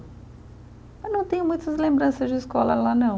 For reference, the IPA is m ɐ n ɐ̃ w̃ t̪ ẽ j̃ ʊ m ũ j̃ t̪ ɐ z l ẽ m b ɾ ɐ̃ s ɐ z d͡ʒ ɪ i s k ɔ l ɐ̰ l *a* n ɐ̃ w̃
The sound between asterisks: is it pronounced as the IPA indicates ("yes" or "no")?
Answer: yes